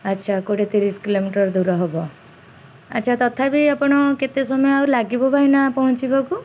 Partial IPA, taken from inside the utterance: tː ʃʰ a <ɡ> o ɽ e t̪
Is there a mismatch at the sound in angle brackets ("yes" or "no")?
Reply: yes